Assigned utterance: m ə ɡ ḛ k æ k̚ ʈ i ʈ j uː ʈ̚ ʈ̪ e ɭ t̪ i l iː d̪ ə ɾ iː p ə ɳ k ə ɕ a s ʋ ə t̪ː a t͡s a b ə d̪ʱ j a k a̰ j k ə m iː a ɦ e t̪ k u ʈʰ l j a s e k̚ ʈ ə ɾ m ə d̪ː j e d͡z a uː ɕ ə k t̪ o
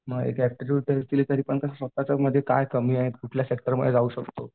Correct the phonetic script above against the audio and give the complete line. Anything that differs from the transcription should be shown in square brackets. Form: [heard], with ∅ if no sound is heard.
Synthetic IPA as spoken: m ə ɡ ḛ k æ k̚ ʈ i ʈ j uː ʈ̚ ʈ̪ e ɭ t̪ i l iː [t̪] ə ɾ iː p ə ɳ k ə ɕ a s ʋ ə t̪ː a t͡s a [m] ə d̪ʱ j [e] k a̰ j k ə m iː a ɦ e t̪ k u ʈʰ l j a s e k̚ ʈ ə ɾ m ə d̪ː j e d͡z a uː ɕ ə k t̪ o

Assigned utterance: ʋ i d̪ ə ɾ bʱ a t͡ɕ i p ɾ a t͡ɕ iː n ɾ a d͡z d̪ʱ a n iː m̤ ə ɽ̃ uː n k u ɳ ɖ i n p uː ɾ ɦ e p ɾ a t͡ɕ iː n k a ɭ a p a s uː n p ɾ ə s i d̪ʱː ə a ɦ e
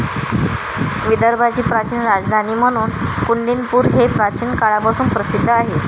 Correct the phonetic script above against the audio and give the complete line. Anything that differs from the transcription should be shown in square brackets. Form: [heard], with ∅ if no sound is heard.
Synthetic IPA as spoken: ʋ i d̪ ə ɾ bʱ a t͡ɕ [iː] p ɾ a t͡ɕ iː n ɾ a d͡z d̪ʱ a n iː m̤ ə ɽ̃ uː n k u ɳ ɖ i n p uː ɾ ɦ e p ɾ a t͡ɕ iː n k a ɭ a p a s uː n p ɾ ə s i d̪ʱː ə a ɦ e

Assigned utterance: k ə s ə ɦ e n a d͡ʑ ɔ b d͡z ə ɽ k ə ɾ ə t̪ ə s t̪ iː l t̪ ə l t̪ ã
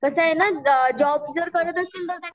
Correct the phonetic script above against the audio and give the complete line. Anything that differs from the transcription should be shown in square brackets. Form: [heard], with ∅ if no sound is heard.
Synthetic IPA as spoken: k ə s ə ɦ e n a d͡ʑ ɔ b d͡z ə [ɾ] k ə ɾ ə t̪ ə s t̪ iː l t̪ ə [ɾ] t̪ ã

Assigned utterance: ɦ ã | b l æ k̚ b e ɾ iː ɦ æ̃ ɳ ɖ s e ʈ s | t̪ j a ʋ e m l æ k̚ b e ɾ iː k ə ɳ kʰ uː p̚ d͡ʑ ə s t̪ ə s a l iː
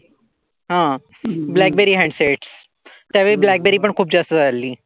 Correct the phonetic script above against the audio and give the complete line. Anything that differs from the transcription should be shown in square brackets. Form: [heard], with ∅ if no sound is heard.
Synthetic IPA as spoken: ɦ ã | b l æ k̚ b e ɾ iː ɦ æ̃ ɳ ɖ s e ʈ s | t̪ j a ʋ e [b] l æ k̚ b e ɾ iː [p] ə ɳ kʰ uː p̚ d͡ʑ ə s t̪ ə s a l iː

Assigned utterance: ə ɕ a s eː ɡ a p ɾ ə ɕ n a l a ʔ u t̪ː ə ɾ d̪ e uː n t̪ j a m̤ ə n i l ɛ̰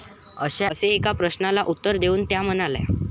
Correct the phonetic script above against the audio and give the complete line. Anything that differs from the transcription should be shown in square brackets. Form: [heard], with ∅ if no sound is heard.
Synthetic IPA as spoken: ə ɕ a s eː [k] a p ɾ ə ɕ n a l a ʔ u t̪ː ə ɾ d̪ e uː n t̪ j a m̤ ə n [a] l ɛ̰

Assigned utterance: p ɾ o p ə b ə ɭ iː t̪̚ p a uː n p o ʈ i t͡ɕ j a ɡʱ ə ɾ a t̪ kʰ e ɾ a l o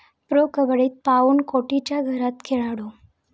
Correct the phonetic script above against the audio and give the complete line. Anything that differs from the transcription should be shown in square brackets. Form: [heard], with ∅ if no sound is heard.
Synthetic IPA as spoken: p ɾ o [k] ə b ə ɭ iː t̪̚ p a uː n [k] o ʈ i t͡ɕ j a ɡʱ ə ɾ a t̪ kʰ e [ɭ] a [ɽ] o

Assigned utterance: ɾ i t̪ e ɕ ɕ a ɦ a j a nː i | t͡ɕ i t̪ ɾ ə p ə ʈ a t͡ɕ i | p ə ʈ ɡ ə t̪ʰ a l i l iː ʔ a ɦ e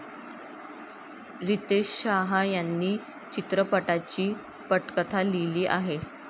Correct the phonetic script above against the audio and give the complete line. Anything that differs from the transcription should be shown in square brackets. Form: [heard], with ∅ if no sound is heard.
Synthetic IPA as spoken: ɾ i t̪ e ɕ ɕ a ɦ a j a nː [iː] | t͡ɕ i t̪ ɾ ə p ə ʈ a t͡ɕ [iː] | p ə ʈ [k] ə t̪ʰ a l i l iː ʔ a ɦ e

